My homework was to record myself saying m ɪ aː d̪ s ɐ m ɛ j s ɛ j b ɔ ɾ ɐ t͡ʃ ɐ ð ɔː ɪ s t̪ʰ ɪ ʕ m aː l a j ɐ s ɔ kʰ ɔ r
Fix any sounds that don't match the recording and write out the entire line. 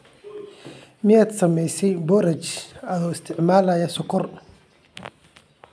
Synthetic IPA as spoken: m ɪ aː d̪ s ɐ m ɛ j s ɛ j b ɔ ɾ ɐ t͡ʃ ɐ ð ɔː ɪ s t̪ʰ ɪ ʕ m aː l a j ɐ s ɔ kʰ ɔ r